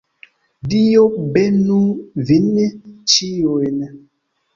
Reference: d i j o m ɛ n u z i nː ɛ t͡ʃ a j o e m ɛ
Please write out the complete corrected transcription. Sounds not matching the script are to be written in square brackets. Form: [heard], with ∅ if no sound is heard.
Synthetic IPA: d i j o [b] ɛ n u [v] i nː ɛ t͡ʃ [i] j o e [n] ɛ